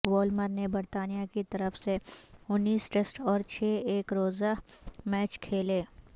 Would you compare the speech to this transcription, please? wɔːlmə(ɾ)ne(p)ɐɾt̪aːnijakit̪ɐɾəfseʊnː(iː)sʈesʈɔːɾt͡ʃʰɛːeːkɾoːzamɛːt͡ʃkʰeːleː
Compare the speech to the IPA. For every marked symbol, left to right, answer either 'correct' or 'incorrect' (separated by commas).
correct, incorrect, correct